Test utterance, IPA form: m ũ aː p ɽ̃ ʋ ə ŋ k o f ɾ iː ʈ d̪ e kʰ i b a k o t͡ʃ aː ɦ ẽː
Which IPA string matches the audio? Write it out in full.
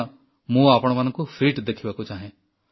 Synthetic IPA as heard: m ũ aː p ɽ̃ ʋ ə n k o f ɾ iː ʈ d̪ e kʰ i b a k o t͡ʃ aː ɦ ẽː